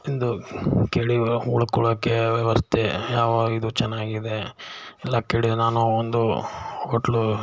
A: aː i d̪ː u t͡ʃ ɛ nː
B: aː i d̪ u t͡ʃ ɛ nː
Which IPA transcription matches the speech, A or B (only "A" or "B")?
B